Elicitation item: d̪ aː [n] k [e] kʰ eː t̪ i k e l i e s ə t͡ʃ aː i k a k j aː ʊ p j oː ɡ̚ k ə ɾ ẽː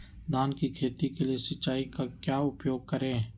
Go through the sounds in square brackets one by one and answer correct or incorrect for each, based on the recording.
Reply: correct, incorrect: i

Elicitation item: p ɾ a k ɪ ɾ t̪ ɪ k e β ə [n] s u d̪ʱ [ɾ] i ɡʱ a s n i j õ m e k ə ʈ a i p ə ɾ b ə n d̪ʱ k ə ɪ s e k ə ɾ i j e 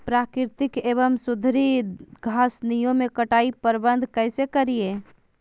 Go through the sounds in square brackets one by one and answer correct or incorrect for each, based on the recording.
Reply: incorrect: m, correct

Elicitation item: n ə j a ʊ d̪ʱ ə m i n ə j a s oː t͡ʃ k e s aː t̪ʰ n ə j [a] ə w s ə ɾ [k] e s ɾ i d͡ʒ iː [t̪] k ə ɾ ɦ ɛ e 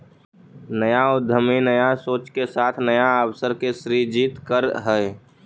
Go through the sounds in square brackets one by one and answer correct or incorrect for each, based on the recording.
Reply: correct, correct, correct

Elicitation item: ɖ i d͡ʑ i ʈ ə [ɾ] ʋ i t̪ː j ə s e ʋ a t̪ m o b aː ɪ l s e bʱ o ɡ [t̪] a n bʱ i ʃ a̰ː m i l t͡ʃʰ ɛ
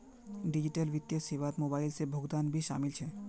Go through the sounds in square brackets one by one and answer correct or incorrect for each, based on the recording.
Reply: incorrect: l, incorrect: d̪

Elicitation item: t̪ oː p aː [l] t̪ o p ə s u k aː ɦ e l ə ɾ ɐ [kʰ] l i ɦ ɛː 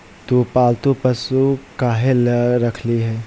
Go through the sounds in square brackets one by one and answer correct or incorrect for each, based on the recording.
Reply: correct, correct

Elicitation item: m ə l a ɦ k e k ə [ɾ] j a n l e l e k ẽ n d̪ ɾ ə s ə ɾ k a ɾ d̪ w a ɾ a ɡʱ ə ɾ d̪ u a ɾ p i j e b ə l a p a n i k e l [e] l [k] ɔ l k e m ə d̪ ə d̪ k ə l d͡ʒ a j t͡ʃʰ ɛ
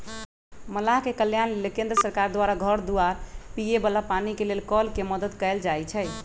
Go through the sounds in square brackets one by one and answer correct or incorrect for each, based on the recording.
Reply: incorrect: l, correct, correct

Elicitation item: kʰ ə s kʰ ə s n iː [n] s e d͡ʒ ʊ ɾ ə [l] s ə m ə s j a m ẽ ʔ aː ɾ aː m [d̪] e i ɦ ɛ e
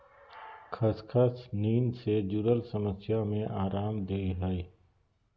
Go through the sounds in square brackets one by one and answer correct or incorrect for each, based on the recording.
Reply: correct, correct, correct

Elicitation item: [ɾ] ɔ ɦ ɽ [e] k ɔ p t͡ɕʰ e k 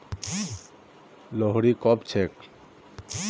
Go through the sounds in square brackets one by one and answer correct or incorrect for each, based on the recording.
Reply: incorrect: l, incorrect: i

